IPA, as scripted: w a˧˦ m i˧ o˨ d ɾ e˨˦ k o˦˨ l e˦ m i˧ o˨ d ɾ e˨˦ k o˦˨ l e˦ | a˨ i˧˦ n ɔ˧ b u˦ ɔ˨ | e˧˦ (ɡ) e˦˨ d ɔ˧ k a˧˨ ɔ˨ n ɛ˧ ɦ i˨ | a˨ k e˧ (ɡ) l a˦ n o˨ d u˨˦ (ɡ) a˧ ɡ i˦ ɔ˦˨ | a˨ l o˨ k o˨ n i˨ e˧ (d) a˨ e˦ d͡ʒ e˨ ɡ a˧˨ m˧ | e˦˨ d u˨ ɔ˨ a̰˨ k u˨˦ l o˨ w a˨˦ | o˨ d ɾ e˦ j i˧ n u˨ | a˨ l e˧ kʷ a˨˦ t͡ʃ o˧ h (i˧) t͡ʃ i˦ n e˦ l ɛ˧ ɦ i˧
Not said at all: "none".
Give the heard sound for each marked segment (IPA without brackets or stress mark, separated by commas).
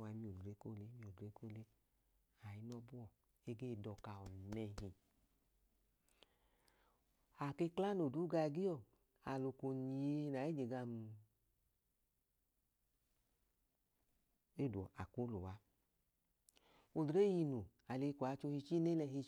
ɡ, k, ɡ, n, i˧